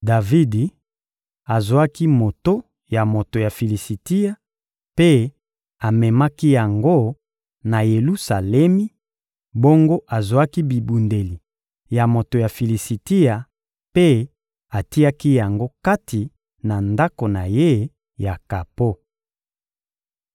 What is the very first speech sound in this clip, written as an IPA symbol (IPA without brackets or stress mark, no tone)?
d